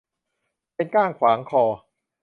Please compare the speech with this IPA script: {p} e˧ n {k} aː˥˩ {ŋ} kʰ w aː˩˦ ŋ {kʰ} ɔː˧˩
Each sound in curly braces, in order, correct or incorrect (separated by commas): correct, correct, correct, correct